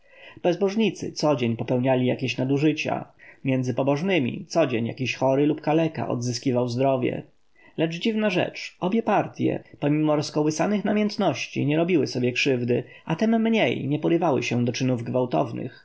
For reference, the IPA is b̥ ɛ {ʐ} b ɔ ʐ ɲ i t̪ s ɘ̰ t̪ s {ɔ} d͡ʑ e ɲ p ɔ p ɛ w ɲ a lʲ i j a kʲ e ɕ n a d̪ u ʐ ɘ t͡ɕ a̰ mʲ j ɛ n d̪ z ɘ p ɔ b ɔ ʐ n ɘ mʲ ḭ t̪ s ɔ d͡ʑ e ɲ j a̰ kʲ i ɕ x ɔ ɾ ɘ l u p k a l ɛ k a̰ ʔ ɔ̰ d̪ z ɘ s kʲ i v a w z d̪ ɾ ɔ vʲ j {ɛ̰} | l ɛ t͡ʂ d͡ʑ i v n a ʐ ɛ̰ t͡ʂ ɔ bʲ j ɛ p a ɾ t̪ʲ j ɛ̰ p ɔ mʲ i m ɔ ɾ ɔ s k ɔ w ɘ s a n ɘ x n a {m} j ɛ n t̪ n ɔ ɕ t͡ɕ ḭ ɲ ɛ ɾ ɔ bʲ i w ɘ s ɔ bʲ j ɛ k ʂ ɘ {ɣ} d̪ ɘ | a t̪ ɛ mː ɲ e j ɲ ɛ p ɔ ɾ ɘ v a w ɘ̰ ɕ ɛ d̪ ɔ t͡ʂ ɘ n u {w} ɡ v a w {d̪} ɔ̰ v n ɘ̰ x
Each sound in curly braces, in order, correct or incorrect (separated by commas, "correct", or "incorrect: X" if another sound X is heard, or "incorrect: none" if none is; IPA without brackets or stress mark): incorrect: z, correct, correct, correct, incorrect: v, incorrect: v, incorrect: t̪